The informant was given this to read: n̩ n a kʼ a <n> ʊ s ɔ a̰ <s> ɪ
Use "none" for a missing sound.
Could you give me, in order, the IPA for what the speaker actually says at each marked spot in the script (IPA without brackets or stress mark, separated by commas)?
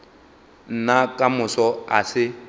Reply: m, s